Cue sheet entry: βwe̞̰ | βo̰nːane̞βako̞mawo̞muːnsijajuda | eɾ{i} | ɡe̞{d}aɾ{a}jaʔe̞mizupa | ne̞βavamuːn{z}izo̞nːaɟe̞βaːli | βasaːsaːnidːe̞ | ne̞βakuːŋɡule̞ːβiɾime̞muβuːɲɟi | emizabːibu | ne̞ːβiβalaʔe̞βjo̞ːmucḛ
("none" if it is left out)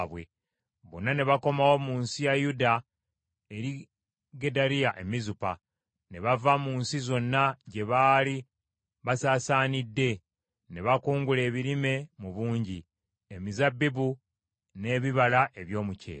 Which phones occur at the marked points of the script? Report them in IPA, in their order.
i, d, i, s

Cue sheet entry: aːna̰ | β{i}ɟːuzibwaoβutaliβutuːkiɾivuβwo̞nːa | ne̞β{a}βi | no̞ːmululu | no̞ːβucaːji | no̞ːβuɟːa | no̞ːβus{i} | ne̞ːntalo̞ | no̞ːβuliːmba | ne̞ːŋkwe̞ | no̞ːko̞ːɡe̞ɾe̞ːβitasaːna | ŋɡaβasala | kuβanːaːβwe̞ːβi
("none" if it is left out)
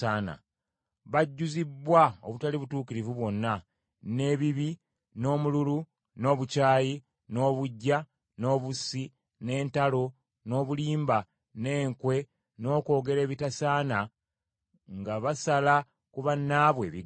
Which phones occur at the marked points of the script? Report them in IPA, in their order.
a, i, i

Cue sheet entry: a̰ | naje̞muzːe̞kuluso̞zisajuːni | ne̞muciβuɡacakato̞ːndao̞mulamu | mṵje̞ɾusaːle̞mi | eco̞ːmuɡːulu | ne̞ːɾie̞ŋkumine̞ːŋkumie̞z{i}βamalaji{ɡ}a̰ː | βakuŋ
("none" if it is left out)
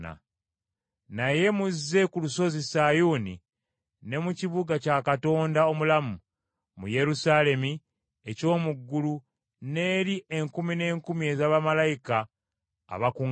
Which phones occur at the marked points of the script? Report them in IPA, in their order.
a, k

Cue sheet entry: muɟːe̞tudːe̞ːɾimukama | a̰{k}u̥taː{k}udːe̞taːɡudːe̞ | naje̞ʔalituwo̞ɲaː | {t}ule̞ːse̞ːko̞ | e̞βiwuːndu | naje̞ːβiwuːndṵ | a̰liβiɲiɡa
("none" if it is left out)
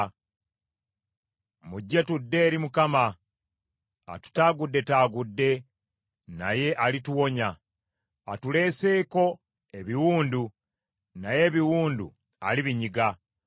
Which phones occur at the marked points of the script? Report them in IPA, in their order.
t, ɡ, t

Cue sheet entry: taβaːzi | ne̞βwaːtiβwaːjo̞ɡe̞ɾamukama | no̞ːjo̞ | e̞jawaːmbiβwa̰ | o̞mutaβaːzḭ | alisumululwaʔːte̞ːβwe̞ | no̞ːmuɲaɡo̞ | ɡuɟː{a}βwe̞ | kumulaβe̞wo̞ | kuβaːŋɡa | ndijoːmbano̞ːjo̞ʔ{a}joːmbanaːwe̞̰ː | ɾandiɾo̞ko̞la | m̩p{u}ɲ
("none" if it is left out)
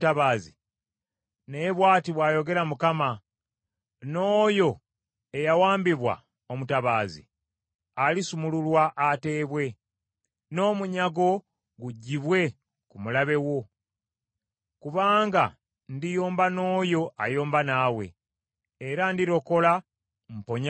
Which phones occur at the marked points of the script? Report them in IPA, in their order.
i, a, o

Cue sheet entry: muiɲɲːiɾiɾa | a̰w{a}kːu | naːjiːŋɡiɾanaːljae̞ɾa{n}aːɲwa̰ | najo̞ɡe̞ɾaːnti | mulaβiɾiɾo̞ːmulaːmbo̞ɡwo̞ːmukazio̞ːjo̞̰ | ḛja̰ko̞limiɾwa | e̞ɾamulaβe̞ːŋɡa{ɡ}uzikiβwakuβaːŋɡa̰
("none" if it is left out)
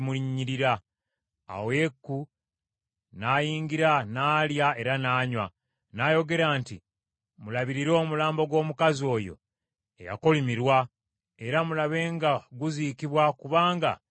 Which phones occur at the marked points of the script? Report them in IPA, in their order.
e, n, ɡ

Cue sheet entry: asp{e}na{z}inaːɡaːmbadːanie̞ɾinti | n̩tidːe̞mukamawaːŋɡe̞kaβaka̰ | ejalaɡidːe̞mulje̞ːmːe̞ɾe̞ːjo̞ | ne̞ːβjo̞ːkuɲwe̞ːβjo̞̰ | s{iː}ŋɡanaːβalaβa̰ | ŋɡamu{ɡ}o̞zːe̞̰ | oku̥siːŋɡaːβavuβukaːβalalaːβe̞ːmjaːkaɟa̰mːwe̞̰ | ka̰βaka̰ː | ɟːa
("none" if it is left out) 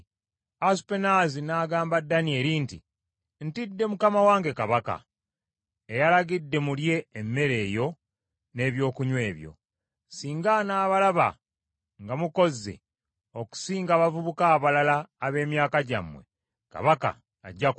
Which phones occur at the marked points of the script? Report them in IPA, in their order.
e, z, iː, k

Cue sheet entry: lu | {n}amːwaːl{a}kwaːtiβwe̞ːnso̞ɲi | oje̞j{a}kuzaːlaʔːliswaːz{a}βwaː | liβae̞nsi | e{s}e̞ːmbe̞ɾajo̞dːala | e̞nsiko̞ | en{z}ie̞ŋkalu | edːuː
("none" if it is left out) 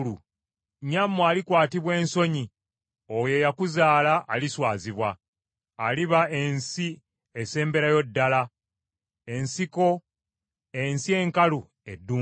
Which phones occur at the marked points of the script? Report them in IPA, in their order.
ɲ, i, a, i, s, s

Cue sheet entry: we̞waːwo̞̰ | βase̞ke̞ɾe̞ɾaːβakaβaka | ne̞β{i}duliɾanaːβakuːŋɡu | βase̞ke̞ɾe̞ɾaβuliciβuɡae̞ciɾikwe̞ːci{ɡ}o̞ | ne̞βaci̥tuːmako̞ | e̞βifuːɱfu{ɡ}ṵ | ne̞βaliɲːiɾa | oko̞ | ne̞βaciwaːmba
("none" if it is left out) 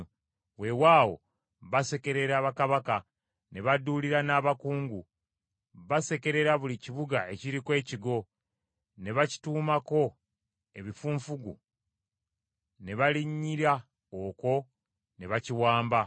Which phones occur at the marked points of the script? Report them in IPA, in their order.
a, ɡ, ɡ

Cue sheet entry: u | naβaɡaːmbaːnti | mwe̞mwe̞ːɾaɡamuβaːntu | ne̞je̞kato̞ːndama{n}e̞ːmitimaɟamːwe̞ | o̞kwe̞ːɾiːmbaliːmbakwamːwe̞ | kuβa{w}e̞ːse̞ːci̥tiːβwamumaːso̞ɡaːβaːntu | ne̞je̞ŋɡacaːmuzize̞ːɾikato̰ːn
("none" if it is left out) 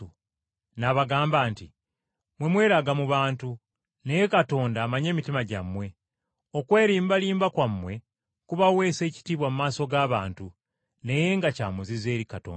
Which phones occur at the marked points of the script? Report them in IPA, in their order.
ɲ, w

